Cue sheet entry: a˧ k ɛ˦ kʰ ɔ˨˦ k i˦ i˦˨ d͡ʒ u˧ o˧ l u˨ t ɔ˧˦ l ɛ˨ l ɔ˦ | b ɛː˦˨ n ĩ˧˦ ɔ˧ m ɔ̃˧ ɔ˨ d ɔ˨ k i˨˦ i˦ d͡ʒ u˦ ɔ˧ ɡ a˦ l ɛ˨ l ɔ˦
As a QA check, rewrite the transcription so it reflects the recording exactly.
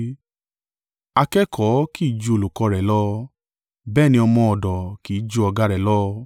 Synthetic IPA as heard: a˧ k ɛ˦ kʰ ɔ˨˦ k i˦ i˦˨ d͡ʒ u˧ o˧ l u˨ k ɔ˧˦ ɾ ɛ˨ l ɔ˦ | b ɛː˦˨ n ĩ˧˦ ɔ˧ m ɔ̃˧ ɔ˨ d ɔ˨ k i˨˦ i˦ d͡ʒ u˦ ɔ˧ ɡ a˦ ɾ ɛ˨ l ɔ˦